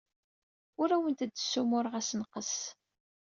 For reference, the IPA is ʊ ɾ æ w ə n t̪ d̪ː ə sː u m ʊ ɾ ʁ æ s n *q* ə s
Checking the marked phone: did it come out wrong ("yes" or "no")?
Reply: no